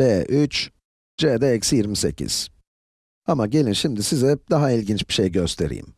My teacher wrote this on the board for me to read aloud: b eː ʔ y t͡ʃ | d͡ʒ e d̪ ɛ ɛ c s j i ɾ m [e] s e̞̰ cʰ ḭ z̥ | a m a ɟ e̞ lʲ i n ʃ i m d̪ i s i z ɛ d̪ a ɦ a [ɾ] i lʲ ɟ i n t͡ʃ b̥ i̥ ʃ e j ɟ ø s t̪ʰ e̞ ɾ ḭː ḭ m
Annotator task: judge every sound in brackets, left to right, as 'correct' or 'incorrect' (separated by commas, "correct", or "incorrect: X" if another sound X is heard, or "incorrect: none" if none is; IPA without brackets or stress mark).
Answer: incorrect: i, incorrect: none